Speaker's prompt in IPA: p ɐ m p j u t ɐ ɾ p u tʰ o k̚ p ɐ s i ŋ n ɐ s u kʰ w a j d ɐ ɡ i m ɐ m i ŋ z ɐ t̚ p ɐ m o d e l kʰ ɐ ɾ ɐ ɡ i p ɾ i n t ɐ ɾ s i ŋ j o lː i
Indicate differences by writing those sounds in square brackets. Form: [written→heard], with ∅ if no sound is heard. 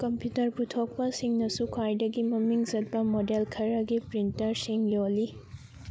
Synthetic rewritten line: [p→k] ɐ m p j u t ɐ ɾ p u tʰ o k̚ p ɐ s i ŋ n ɐ s u kʰ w a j d ɐ ɡ i m ɐ m i ŋ z ɐ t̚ p ɐ m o d e l kʰ ɐ ɾ ɐ ɡ i p ɾ i n t ɐ ɾ s i ŋ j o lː i